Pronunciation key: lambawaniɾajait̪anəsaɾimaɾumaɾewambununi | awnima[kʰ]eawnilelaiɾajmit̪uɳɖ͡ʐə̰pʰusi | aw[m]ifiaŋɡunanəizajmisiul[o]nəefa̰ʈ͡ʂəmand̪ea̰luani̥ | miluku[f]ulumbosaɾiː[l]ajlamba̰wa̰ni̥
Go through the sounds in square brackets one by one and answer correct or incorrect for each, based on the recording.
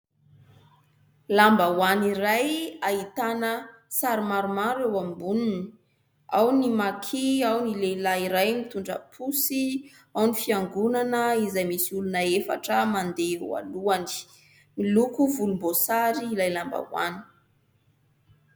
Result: correct, incorrect: n, incorrect: u, incorrect: v, correct

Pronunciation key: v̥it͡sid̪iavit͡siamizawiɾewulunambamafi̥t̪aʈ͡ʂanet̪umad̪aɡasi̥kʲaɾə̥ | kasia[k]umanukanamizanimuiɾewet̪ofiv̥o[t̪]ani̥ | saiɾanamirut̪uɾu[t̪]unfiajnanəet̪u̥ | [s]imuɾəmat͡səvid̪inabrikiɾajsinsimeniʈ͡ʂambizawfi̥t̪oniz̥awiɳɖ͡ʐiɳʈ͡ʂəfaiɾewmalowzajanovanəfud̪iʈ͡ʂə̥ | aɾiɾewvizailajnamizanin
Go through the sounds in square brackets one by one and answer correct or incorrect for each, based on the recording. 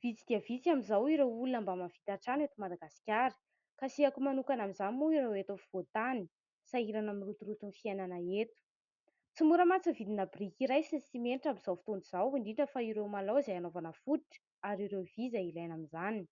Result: correct, correct, correct, incorrect: t͡s

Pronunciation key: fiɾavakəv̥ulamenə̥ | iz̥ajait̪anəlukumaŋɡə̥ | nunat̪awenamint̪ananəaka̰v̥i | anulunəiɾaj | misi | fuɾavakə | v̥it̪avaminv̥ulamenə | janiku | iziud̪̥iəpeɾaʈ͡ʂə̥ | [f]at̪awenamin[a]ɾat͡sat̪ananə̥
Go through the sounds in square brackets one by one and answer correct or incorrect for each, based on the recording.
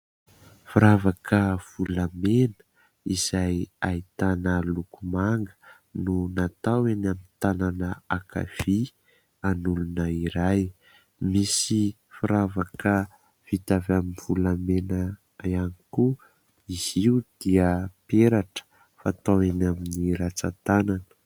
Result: correct, incorrect: i

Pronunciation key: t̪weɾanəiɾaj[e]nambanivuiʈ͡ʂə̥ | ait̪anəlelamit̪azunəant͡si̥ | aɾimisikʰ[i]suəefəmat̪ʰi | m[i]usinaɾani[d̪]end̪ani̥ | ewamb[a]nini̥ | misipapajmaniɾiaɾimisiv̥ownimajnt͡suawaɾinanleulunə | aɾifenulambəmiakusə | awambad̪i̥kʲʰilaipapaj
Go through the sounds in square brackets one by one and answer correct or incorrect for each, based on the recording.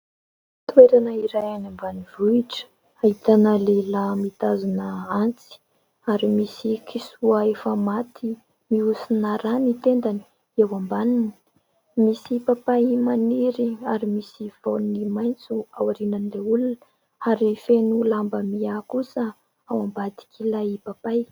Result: incorrect: a, correct, correct, incorrect: t̪, correct

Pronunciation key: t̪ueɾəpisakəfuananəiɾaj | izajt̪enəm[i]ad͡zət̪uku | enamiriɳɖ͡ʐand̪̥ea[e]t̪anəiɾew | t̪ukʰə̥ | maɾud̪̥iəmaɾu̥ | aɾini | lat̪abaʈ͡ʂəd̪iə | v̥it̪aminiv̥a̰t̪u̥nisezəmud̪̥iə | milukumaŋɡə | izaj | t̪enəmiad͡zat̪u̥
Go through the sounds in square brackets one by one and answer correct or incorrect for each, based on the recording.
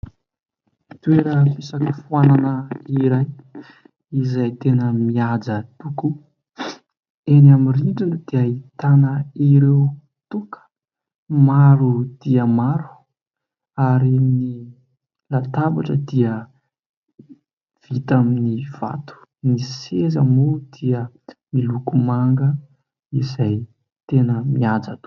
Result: correct, incorrect: i

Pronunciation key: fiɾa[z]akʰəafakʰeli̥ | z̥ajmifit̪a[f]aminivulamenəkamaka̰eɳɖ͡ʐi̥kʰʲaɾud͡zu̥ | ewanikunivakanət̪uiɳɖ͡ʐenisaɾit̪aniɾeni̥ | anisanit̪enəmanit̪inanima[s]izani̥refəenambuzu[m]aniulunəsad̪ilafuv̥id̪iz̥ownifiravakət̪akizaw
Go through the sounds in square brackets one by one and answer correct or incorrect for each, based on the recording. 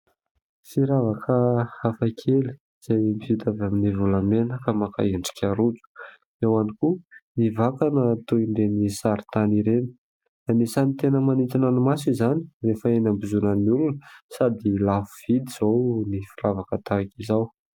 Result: incorrect: v, incorrect: v, correct, incorrect: n

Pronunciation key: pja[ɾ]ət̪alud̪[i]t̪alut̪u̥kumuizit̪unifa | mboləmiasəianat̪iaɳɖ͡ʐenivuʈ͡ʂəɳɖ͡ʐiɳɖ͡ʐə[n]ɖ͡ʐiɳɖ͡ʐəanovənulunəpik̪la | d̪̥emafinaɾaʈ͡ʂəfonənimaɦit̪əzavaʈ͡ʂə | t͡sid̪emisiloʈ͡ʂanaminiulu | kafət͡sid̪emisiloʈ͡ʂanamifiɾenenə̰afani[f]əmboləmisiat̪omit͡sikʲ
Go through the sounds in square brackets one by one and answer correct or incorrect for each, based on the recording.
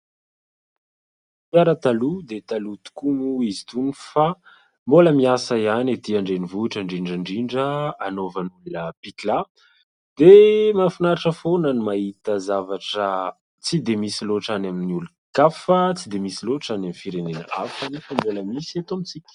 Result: correct, incorrect: e, incorrect: ɳ, correct

